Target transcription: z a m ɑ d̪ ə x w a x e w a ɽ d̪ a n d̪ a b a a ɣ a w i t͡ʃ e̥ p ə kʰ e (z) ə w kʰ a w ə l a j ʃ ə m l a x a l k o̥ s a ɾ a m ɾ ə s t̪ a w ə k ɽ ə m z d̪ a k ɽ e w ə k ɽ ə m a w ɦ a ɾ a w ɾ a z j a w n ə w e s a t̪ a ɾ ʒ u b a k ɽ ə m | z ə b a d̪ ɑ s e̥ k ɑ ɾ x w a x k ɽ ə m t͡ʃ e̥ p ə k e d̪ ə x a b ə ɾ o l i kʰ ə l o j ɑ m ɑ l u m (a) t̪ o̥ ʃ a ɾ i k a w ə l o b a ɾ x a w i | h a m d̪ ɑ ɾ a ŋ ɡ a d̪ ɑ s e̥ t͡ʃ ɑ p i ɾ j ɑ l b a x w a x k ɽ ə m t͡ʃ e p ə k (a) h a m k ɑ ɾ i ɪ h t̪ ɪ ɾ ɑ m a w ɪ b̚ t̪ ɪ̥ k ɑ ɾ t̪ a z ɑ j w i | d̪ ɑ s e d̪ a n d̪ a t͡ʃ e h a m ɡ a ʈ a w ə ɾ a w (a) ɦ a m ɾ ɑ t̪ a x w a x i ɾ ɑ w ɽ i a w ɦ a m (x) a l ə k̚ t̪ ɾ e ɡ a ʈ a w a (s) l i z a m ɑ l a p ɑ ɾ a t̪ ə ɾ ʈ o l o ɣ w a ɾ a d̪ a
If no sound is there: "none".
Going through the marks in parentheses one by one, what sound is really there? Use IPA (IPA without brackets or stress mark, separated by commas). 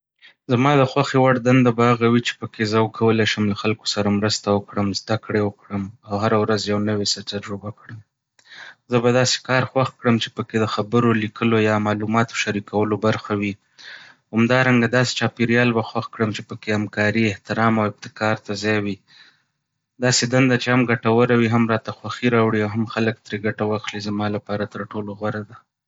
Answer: z, ɑ, e, i, x, x